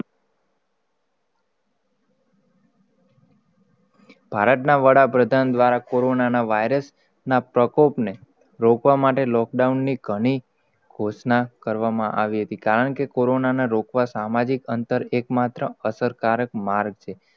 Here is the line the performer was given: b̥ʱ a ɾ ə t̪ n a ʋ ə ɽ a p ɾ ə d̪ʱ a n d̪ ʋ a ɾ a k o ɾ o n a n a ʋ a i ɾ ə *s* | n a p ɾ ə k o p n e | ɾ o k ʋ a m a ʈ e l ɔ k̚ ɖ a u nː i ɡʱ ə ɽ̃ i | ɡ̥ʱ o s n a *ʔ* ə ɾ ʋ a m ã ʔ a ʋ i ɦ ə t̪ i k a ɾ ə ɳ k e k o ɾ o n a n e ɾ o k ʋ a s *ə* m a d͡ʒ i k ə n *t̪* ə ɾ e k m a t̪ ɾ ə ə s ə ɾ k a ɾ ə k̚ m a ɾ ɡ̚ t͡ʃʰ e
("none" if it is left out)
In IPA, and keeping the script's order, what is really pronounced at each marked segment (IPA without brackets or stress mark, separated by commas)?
s, k, a, t̪